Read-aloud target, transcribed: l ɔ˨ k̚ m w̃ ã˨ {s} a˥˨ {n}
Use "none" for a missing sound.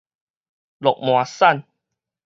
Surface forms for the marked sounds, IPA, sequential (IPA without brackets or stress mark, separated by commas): s, n